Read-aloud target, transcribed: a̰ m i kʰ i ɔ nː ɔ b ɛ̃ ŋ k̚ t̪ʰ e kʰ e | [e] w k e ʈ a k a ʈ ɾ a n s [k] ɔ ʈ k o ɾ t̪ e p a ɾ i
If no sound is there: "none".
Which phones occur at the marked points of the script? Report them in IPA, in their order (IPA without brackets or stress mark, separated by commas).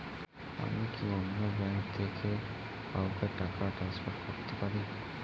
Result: a, p